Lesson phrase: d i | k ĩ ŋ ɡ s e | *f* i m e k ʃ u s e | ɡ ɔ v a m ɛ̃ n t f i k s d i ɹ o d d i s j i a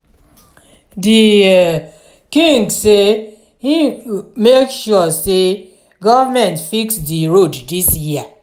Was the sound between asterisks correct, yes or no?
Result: no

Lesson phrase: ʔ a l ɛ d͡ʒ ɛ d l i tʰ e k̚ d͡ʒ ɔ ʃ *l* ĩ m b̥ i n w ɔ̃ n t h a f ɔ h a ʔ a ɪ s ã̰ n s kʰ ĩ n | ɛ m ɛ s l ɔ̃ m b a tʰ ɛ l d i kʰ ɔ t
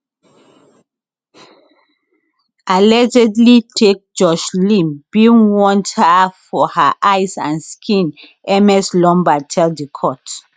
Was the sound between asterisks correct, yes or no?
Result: yes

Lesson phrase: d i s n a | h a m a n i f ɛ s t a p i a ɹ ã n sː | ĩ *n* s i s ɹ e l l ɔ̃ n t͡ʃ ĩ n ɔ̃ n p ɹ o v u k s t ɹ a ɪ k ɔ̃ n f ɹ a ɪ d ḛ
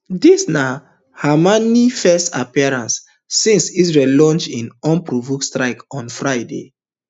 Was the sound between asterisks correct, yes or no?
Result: yes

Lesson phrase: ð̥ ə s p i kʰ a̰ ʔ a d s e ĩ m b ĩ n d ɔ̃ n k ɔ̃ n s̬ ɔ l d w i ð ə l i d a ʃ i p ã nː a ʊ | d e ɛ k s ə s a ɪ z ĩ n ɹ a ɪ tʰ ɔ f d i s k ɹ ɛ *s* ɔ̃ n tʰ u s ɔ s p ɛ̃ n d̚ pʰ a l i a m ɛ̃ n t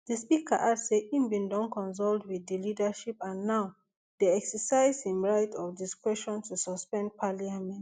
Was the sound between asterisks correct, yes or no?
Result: no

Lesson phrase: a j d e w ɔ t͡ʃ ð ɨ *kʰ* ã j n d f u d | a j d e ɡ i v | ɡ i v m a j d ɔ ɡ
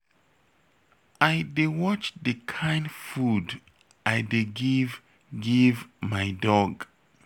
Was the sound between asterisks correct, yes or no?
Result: yes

